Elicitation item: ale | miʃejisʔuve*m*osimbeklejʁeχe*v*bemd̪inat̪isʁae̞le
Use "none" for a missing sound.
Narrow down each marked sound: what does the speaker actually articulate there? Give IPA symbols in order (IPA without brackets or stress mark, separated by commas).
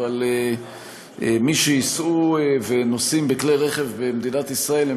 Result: n, v